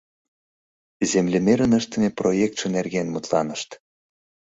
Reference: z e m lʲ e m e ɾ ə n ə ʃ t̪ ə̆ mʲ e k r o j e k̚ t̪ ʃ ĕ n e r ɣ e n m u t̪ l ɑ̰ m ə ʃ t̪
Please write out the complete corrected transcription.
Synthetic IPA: z e m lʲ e m e ɾ ə n ə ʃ t̪ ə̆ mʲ e p r o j e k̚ t̪ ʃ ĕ n e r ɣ e n m u t̪ l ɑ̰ n ə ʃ t̪